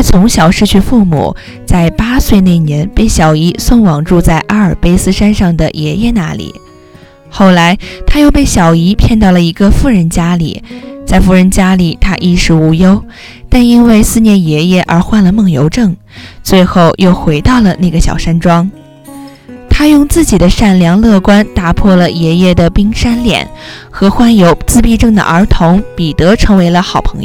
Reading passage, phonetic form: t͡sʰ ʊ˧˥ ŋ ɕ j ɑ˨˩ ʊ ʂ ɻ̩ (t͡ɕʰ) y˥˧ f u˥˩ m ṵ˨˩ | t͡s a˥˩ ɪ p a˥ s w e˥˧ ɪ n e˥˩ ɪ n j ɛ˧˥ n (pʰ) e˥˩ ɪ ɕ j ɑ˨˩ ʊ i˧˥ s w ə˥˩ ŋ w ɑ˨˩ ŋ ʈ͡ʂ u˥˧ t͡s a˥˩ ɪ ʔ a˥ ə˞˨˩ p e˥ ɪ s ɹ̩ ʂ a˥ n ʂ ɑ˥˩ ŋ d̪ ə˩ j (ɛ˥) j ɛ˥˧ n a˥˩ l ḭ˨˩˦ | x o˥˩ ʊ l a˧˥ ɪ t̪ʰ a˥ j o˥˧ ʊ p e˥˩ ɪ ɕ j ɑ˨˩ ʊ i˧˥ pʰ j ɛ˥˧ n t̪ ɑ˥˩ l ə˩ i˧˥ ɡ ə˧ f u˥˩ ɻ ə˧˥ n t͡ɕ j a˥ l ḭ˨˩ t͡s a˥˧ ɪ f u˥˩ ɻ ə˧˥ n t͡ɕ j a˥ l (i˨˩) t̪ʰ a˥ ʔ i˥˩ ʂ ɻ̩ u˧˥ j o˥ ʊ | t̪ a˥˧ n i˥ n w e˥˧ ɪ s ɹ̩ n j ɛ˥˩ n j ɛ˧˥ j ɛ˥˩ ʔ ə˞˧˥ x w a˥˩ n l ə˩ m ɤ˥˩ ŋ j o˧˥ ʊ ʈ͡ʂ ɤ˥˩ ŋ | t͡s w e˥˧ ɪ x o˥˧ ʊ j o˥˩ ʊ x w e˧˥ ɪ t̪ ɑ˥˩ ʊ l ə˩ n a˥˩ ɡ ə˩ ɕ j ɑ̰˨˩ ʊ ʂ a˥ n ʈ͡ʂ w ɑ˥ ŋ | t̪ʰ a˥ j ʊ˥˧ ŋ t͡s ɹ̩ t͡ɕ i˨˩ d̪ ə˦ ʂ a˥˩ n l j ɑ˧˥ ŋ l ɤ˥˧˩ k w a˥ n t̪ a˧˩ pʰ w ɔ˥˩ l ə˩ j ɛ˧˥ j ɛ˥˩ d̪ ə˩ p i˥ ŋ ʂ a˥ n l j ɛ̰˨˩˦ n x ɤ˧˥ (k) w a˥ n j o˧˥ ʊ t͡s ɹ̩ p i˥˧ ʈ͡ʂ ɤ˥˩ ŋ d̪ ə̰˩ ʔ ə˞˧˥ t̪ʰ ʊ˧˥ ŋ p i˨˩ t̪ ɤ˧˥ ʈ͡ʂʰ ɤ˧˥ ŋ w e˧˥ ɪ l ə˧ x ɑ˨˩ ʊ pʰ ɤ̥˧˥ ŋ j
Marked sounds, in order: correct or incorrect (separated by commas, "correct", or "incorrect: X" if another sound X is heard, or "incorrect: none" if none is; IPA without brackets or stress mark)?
correct, incorrect: p, incorrect: ɛ˧˥, correct, incorrect: x